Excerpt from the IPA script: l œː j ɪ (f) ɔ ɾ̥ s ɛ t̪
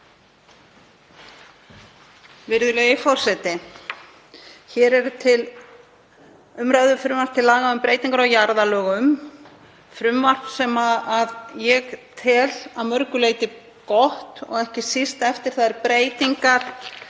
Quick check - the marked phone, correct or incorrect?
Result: correct